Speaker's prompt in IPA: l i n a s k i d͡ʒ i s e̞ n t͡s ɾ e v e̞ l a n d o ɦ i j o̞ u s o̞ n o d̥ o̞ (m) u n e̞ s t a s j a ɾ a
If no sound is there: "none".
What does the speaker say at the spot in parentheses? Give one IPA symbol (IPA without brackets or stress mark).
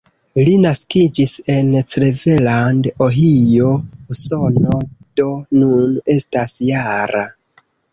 n